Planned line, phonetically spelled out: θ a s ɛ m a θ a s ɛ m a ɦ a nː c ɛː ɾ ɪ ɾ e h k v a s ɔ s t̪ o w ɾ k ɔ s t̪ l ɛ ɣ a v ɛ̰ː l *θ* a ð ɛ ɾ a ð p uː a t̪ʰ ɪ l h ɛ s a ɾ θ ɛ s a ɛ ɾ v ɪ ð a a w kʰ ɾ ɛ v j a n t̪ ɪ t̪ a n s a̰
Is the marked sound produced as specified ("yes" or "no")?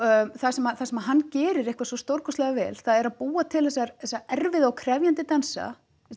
yes